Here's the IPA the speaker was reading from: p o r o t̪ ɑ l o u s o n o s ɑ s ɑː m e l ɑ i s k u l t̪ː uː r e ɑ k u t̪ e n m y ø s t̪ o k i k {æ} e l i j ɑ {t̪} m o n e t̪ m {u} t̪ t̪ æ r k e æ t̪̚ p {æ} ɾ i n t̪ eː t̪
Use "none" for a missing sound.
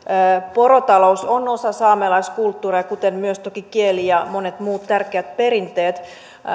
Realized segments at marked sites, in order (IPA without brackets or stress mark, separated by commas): i, none, uː, e